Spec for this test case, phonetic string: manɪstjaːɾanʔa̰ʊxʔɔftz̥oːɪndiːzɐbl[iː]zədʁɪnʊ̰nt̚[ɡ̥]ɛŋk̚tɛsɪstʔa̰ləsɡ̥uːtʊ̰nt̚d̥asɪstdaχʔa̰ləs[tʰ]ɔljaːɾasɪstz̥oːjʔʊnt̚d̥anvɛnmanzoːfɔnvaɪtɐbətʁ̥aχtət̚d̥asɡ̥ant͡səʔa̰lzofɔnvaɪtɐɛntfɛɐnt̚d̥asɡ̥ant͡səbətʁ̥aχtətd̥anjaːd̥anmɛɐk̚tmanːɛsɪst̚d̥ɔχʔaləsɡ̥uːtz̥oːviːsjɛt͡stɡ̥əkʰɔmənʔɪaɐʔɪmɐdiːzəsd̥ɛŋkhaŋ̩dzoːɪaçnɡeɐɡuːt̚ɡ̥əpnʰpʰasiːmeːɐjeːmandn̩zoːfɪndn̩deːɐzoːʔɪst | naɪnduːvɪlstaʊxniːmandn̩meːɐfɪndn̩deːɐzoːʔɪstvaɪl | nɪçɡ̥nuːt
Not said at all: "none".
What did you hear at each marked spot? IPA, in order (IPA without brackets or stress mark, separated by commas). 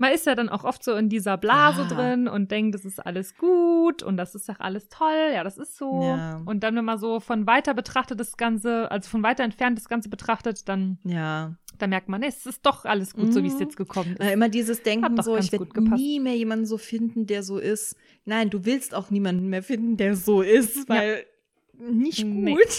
aː, d̥, tʰ